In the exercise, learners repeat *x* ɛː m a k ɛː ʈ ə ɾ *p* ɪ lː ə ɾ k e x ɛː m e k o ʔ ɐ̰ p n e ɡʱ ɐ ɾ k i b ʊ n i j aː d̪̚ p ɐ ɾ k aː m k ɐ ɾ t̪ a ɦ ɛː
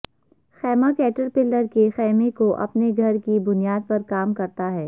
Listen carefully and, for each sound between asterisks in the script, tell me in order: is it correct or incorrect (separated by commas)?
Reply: correct, correct